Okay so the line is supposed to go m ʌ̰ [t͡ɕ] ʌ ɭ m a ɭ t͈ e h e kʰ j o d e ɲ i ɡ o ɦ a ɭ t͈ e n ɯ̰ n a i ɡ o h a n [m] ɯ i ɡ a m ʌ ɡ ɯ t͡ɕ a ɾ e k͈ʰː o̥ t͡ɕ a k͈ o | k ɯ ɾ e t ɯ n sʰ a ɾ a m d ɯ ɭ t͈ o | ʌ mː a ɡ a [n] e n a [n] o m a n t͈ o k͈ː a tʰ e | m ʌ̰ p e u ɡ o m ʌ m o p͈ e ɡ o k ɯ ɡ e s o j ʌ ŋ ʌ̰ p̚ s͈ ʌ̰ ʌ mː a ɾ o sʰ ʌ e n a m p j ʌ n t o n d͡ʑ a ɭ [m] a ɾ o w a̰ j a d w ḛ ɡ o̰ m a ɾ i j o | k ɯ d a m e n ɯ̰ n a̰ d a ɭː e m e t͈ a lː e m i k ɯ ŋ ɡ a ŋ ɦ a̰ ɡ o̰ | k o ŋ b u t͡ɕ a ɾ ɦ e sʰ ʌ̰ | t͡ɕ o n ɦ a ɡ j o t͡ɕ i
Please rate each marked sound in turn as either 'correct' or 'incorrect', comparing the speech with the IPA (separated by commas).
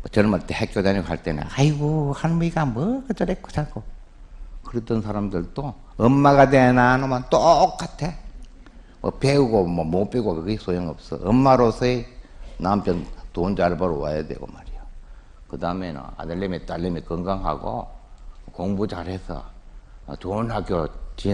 correct, correct, incorrect, correct, incorrect